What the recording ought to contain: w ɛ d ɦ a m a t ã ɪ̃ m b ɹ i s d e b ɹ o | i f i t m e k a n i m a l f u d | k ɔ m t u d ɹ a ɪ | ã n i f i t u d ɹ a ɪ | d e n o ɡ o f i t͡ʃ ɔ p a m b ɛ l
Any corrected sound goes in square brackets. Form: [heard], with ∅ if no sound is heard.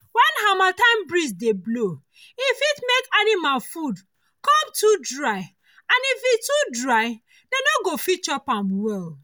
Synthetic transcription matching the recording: w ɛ [n] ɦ a m a t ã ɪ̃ m b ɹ i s d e b [l] o | i f i t m e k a n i m a l f u d | k ɔ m t u d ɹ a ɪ | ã n i f i t u d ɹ a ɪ | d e n o ɡ o f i t͡ʃ ɔ p a m [w] ɛ l